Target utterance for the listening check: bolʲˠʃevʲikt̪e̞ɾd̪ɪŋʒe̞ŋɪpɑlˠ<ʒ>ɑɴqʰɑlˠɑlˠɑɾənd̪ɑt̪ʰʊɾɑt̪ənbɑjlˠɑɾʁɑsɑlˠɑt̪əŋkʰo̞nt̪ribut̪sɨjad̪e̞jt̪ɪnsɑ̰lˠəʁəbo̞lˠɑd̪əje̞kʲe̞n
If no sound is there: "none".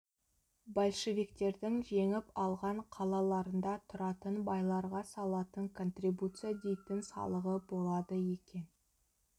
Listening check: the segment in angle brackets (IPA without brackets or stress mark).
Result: ʁ